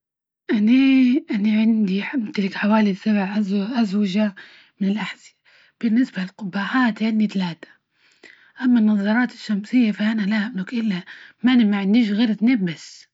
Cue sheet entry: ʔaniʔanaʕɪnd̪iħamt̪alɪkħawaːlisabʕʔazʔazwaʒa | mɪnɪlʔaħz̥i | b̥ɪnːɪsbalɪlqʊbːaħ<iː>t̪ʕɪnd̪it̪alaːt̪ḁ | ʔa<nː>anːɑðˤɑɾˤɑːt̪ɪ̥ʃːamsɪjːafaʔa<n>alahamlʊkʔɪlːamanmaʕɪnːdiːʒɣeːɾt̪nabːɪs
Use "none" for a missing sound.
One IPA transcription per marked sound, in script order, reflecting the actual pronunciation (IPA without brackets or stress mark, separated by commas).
aː, mː, n